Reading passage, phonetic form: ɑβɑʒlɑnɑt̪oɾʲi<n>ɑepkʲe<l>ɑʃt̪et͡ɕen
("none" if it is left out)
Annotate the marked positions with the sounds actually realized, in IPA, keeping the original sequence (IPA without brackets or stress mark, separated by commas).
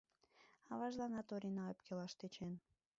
n, l